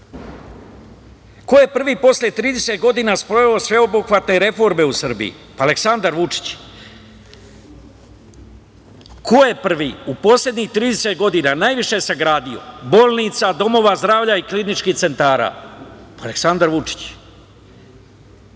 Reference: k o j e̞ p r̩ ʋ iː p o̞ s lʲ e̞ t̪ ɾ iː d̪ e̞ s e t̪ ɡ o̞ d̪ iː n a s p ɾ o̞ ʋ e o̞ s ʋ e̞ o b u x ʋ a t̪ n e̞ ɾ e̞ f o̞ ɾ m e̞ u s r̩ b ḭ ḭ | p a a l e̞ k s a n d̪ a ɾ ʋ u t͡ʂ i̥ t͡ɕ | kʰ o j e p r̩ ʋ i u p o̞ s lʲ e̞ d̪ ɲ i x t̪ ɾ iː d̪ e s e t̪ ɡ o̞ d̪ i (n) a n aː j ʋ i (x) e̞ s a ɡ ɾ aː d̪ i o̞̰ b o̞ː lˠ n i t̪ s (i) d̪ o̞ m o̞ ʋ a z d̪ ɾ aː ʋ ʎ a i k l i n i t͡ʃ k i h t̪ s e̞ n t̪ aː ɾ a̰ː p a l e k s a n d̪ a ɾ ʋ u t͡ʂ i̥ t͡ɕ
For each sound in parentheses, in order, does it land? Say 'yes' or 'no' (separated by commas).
yes, no, no